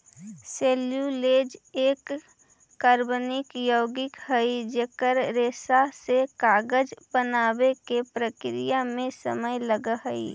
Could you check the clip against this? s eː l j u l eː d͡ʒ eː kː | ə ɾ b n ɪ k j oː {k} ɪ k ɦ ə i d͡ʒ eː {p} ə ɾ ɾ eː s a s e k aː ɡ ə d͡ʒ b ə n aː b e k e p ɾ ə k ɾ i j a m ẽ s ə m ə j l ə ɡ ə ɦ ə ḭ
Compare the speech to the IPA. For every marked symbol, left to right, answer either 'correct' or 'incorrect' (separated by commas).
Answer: incorrect, incorrect